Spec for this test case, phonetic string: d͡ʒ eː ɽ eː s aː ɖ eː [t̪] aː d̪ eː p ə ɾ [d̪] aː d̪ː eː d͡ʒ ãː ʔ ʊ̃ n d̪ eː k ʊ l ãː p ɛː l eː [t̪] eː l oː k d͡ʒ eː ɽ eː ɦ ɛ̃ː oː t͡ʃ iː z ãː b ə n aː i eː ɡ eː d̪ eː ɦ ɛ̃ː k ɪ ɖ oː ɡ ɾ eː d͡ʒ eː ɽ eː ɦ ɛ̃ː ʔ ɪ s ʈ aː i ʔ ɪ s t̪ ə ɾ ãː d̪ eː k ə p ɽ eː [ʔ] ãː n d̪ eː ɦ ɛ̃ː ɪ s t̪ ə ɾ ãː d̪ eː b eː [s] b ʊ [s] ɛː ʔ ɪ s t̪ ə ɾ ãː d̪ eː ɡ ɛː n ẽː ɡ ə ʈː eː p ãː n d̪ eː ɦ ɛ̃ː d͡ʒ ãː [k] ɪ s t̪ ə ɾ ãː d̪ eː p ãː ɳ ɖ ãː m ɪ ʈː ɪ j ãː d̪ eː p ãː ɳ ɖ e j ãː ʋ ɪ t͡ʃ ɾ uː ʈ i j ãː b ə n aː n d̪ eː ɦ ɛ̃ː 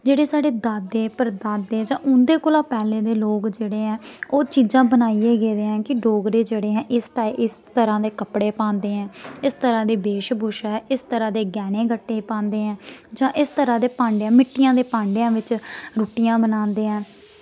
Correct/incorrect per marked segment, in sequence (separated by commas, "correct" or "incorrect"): incorrect, correct, incorrect, incorrect, incorrect, incorrect, incorrect